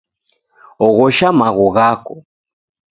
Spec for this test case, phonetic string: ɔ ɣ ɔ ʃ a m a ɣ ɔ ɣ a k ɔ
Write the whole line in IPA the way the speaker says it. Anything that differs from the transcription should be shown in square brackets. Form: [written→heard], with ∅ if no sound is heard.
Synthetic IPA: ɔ ɣ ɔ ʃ a m a ɣ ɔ ɣ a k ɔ